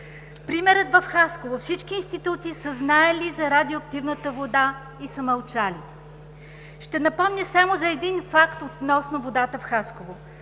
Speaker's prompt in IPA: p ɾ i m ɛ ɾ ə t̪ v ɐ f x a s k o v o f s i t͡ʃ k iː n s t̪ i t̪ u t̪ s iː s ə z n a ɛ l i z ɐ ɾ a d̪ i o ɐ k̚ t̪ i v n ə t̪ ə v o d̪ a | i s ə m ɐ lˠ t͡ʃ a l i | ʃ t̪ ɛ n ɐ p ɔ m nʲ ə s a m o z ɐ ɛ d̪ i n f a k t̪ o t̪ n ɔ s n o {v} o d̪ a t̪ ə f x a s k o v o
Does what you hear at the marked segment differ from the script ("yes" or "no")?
no